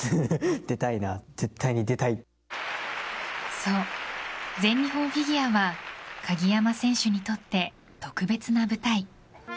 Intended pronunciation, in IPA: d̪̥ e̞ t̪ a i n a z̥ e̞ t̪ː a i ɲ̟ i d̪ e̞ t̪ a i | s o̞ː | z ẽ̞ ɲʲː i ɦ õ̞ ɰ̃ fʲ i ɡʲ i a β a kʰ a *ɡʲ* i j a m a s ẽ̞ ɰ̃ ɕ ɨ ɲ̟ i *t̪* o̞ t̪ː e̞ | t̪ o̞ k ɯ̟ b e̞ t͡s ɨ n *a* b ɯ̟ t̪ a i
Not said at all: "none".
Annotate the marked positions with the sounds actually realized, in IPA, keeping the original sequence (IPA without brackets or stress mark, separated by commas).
ɡʲ, t̪, a